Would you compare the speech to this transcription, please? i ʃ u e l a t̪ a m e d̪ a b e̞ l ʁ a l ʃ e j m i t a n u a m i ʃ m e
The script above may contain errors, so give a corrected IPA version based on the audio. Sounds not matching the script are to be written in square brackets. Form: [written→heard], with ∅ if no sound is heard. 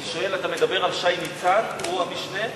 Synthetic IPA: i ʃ [u→o] e l a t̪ a m e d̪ a b e̞ [l→∅] ʁ a l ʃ [e→a] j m i [t→t͡s] a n u a m i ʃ [m→n] e